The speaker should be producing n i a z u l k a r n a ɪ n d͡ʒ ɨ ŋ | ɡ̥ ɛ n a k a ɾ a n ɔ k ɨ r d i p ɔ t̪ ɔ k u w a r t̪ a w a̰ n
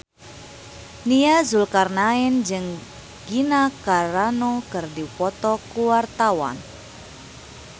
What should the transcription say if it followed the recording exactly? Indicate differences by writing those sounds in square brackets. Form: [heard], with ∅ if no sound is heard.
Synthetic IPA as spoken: n i a z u l k a r n a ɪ n d͡ʒ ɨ ŋ | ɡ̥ [i] n a k a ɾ a n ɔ k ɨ r d i p ɔ t̪ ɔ k u w a r t̪ a w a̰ n